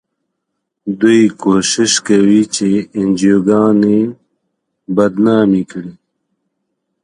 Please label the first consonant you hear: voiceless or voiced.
voiced